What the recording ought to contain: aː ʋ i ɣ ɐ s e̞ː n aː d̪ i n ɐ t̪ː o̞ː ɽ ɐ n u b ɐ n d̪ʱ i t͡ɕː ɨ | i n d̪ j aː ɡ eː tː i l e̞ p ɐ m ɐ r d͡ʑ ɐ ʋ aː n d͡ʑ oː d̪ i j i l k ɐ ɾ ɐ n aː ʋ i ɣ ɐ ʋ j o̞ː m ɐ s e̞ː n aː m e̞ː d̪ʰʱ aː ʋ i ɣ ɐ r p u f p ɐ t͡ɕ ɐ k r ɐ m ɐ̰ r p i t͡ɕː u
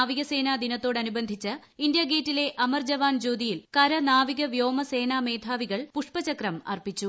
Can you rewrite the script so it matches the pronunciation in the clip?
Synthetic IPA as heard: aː ʋ i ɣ ɐ s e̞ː n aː d̪ i n ɐ t̪ː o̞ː ɽ ɐ n u b ɐ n d̪ʱ i t͡ɕː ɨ | i n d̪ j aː ɡ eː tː i l e̞ ʔ ɐ m ɐ r d͡ʑ ɐ ʋ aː n d͡ʑ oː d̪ i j i l k ɐ ɾ ɐ n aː ʋ i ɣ ɐ ʋ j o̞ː m ɐ s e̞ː n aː m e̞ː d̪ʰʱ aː ʋ i ɣ ɐ ɭ p u ʂ p ɐ t͡ɕ ɐ k r ɐ m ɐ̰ r p i t͡ɕː u